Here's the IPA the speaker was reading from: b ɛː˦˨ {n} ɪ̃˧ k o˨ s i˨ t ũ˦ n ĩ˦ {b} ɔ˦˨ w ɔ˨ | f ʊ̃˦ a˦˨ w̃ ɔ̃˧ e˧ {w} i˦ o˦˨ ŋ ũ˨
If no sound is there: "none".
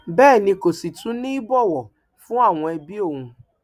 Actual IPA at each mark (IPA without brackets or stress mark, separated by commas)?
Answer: n, b, b